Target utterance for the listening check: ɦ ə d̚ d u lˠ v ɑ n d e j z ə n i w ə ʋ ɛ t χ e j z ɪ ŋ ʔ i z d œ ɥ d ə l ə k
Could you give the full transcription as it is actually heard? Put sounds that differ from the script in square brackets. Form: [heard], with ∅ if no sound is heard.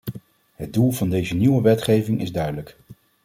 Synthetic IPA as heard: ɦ ə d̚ d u lˠ v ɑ n d e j z ə n i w ə ʋ ɛ t χ e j [v] ɪ ŋ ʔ [ɪ] z d œ ɥ d ə l ə k